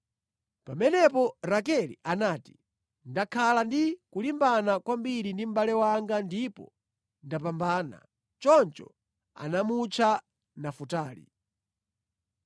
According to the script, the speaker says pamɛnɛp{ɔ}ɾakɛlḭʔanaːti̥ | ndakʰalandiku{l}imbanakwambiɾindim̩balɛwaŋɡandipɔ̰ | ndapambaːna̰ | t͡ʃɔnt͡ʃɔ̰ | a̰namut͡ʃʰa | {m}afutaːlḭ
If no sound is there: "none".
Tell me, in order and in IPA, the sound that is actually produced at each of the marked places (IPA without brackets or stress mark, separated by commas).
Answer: ɔ, l, n